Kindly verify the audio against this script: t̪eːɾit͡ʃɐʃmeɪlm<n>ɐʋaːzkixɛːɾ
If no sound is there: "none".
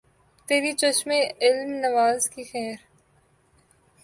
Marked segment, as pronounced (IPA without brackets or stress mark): n